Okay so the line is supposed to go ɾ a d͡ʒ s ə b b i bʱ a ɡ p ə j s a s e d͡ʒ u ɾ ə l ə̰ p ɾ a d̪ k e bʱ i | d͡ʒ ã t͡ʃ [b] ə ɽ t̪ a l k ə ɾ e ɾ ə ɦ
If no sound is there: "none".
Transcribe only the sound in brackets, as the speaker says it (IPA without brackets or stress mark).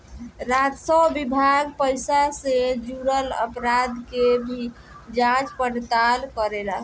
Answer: p